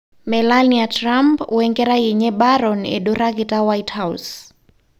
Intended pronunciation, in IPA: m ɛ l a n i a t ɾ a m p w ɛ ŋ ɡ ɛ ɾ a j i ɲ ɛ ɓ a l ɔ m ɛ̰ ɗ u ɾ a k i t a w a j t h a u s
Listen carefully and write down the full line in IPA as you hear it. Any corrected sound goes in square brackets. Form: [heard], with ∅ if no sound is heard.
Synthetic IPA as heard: m ɛ l a n i a t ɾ a m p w ɛ ŋ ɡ ɛ ɾ a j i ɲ ɛ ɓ a [ɾ] ɔ [n] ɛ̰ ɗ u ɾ a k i t a w a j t h a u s

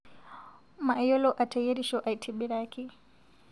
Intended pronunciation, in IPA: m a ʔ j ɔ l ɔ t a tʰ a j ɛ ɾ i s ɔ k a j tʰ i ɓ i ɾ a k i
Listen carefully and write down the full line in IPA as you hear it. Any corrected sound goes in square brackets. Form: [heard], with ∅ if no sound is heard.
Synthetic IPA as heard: m a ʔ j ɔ l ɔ [ʔ] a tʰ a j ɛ ɾ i [ʃ] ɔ [ʔ] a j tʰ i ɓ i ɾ a k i

